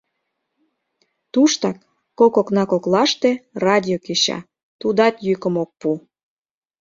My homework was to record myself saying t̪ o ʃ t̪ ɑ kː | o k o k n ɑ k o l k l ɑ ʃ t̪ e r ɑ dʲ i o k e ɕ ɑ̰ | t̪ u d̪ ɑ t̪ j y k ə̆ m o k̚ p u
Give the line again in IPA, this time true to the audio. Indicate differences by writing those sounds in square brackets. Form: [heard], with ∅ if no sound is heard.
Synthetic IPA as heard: t̪ [u] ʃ t̪ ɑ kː | o k o k n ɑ k o [∅] k l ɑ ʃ t̪ e r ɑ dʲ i o k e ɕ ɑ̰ | t̪ u d̪ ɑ t̪ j y k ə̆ m o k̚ p u